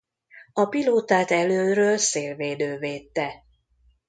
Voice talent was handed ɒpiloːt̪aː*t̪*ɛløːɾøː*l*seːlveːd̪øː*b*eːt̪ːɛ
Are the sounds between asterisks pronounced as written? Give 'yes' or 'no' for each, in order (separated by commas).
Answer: yes, yes, no